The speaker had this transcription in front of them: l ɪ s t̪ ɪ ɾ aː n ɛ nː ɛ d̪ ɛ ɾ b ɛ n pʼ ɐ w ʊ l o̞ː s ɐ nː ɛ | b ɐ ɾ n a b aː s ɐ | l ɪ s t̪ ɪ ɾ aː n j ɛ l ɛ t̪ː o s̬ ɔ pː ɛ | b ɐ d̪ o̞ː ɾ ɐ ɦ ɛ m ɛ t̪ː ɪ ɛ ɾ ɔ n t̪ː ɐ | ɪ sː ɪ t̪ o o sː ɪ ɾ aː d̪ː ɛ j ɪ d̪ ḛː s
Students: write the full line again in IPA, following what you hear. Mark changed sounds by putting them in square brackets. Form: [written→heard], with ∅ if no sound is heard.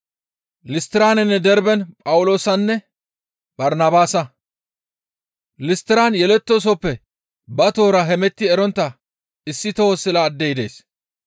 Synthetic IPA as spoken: l ɪ s t̪ ɪ ɾ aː n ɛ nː ɛ d̪ ɛ ɾ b ɛ n pʼ ɐ w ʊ l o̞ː s ɐ nː ɛ | b ɐ ɾ n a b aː s ɐ | l ɪ s t̪ ɪ ɾ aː n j ɛ l ɛ t̪ː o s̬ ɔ pː ɛ | b ɐ [d̪→t̪] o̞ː ɾ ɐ ɦ ɛ m ɛ t̪ː ɪ ɛ ɾ ɔ n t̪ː ɐ | ɪ sː ɪ t̪ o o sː ɪ [ɾ→l] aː d̪ː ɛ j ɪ d̪ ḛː s